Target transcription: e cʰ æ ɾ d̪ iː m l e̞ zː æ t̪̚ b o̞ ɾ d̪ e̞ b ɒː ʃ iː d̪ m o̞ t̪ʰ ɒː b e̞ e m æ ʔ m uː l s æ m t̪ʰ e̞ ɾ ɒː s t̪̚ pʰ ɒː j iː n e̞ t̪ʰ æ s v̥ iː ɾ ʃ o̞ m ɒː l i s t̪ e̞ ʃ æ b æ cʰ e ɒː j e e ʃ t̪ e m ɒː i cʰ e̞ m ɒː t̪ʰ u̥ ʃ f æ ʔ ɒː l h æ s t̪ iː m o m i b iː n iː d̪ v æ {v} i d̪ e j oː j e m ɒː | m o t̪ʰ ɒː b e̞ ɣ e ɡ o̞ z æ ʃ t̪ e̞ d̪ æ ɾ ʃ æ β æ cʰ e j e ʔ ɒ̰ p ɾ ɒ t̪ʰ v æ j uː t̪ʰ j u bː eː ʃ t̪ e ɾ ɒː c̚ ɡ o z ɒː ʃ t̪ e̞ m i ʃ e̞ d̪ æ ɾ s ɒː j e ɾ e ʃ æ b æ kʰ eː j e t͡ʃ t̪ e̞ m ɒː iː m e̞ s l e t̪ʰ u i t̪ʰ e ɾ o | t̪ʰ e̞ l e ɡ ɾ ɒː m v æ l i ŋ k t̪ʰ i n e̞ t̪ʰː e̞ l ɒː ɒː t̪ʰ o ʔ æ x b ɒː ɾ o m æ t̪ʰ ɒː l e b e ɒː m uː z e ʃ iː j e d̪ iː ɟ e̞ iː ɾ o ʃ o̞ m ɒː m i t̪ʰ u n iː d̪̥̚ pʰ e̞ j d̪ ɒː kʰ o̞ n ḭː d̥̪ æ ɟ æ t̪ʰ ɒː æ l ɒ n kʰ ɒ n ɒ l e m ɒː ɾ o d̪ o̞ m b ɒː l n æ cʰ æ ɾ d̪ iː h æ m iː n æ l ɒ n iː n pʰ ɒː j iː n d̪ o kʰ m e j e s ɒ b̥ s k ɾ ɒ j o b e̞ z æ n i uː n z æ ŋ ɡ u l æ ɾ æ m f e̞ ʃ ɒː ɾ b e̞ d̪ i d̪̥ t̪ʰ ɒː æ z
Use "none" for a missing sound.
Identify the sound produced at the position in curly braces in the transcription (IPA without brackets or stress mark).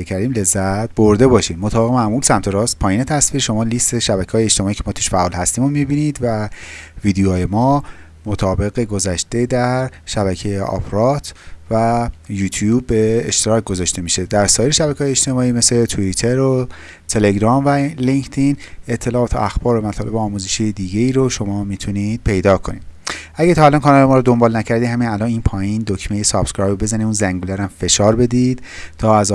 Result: v